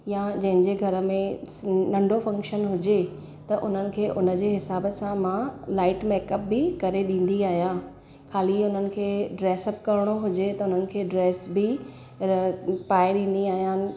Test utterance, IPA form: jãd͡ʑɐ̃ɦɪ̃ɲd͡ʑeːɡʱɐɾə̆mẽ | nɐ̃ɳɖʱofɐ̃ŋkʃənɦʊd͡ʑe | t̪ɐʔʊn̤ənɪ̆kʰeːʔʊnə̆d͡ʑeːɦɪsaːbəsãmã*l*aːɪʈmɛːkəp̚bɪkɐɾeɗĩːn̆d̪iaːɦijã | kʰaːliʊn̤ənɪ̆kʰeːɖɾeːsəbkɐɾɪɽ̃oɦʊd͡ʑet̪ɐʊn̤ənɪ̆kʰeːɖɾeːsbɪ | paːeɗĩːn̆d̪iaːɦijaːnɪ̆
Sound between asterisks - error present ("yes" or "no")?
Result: no